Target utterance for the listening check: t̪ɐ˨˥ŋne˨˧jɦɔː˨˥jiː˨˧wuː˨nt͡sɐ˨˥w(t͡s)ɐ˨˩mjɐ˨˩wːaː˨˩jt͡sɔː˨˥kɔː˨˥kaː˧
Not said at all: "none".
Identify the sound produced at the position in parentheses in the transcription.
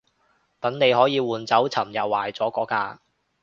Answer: t͡sʰ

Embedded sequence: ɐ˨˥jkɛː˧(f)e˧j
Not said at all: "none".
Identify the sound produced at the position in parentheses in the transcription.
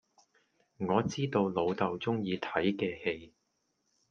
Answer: h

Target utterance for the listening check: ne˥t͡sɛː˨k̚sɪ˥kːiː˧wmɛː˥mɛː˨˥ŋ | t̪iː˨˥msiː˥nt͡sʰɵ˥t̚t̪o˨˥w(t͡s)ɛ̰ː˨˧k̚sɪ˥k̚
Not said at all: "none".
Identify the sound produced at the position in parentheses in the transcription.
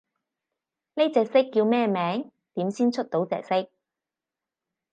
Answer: t͡s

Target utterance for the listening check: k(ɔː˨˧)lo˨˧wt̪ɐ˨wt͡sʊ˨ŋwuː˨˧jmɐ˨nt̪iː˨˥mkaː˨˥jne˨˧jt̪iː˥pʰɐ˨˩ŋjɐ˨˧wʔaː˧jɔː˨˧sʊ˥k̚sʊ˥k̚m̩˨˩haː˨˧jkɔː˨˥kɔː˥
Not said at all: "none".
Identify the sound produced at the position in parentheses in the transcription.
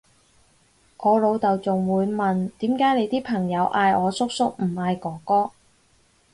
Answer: ɔː˨˧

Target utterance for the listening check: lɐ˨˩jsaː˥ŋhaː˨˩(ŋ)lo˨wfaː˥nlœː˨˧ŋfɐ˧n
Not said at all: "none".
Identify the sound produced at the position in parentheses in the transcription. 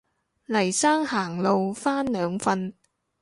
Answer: ŋ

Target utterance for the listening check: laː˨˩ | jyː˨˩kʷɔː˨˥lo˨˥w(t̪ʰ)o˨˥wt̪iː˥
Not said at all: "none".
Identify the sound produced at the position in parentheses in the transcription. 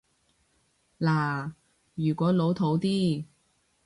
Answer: t̪ʰ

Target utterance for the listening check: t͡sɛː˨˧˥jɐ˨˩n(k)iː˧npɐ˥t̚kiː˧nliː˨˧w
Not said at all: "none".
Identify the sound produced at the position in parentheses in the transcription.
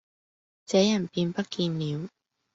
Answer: p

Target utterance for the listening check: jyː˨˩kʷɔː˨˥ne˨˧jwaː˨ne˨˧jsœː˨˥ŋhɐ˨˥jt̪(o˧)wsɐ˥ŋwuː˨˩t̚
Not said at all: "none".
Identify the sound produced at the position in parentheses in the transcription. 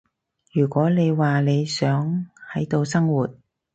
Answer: o˧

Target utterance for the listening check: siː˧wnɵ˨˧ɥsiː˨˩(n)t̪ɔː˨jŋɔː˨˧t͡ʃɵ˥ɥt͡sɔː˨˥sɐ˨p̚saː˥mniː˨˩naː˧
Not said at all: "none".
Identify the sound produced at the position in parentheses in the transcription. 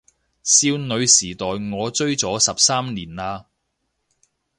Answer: none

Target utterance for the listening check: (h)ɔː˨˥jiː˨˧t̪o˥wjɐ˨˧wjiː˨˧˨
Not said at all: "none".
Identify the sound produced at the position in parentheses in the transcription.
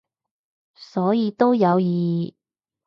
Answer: s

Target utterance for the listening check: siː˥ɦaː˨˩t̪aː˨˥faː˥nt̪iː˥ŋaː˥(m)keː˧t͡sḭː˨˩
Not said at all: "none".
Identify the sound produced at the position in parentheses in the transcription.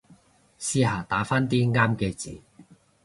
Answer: m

